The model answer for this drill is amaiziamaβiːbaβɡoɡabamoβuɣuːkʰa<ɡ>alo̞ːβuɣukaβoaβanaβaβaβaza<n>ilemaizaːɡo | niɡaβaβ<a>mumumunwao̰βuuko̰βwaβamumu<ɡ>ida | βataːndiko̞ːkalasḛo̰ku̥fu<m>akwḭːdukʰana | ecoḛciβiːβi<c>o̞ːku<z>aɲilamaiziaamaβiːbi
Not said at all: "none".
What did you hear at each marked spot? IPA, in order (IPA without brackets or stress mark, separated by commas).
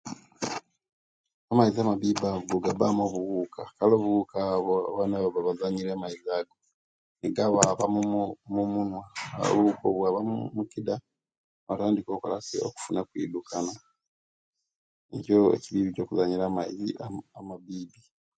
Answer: k, ɲ, a, k, n, c, z